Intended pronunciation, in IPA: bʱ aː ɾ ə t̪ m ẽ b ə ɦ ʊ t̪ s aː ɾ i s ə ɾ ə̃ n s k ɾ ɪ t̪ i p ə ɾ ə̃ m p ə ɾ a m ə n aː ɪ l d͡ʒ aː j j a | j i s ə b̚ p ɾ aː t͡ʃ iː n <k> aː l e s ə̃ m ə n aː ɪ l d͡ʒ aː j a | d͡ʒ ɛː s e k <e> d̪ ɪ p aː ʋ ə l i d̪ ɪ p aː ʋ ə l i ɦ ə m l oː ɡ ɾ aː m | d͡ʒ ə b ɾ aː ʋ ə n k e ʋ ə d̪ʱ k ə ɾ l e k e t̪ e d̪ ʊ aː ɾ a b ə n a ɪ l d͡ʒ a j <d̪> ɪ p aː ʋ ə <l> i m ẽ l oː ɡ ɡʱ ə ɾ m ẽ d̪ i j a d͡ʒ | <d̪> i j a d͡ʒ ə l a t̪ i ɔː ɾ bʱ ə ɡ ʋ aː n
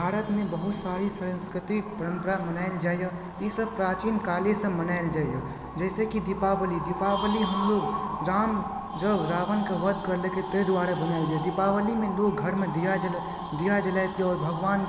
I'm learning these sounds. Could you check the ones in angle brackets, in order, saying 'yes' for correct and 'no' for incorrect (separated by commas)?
yes, no, yes, yes, yes